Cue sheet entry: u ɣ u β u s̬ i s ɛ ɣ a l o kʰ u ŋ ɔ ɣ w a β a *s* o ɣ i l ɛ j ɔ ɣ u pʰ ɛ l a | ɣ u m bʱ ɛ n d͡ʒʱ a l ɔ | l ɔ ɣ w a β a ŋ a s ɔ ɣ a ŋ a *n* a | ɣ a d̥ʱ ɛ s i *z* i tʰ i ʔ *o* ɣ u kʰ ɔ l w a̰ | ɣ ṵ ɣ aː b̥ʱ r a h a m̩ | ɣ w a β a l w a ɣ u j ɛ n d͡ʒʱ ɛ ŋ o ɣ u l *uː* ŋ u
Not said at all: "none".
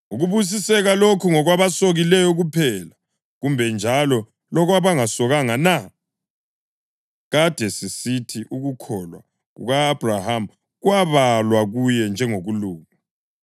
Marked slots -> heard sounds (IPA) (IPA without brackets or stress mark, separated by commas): s, n, s, u, uː